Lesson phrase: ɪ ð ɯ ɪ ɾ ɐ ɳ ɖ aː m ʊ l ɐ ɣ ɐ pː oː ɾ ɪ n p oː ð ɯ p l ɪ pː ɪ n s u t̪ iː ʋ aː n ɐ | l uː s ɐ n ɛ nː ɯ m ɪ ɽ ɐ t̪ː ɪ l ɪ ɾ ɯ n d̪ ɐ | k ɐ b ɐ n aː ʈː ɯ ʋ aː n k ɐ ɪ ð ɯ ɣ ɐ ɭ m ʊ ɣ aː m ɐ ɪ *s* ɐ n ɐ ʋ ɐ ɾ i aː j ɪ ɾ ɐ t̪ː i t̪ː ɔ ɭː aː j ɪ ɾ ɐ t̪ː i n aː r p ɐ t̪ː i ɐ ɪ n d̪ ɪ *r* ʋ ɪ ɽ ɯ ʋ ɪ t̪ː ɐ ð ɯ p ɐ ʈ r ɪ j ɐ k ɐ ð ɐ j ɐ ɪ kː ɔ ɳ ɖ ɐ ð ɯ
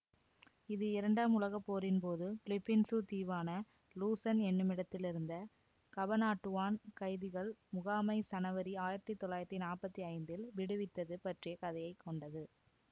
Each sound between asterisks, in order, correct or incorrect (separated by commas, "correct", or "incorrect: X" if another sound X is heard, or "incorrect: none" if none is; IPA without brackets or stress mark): correct, incorrect: l